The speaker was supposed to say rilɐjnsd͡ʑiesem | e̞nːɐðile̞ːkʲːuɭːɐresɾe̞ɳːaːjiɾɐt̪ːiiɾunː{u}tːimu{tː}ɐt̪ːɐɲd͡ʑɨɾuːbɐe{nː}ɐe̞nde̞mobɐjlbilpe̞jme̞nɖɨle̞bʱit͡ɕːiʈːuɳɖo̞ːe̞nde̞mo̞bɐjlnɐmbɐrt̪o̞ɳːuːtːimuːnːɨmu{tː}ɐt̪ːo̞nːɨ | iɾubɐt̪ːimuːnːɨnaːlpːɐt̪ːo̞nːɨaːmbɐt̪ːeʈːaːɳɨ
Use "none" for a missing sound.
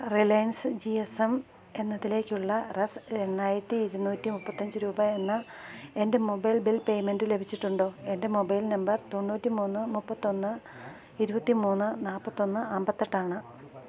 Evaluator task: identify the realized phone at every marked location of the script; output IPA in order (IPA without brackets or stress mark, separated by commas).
uː, pː, nː, pː